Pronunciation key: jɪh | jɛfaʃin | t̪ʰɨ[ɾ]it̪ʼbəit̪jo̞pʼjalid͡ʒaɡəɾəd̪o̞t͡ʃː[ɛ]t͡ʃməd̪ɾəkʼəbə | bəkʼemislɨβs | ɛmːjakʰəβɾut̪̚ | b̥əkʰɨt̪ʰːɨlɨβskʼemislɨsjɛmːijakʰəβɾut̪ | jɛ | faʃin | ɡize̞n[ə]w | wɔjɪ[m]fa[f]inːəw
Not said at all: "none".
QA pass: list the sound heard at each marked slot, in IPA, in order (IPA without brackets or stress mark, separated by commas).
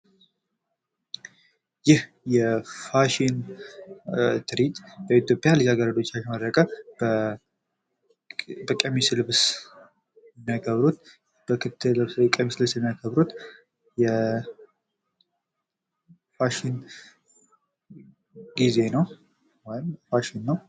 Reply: ɾ, a, ə, m, ʃ